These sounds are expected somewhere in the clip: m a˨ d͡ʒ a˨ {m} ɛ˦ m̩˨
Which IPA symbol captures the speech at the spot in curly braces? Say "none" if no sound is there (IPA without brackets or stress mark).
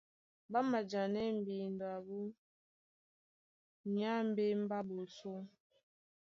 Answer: n